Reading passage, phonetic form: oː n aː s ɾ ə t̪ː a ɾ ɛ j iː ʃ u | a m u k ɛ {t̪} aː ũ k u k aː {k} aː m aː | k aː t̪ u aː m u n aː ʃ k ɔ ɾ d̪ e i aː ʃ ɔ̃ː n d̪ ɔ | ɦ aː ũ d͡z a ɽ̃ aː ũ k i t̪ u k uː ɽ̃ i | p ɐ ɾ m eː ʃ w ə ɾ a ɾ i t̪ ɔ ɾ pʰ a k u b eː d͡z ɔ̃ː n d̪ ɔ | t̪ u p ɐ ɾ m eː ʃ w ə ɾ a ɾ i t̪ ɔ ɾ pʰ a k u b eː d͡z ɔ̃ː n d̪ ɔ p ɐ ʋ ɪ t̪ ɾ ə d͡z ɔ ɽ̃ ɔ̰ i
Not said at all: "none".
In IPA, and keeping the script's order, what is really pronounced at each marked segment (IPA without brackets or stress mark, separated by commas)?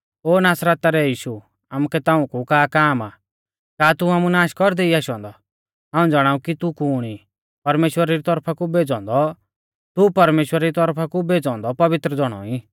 t̪, k